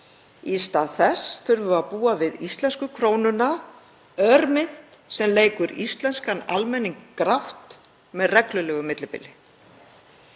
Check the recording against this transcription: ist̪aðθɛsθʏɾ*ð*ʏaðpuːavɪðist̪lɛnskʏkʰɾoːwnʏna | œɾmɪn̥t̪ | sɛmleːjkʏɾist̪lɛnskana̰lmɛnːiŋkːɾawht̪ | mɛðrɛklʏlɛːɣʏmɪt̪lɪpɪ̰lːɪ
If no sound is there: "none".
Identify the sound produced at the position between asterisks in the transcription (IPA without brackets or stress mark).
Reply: v